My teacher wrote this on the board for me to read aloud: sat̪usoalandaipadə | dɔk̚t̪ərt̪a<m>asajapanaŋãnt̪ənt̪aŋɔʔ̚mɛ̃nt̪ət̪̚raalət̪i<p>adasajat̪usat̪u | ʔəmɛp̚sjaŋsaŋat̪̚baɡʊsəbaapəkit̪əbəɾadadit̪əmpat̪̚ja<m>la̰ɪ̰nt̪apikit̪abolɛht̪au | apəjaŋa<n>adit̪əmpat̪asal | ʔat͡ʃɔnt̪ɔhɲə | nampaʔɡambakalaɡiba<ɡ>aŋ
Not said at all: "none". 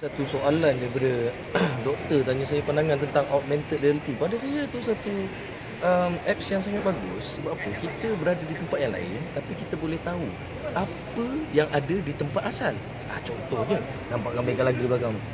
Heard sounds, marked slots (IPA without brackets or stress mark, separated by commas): ɲ, p, ŋ, d, ɡ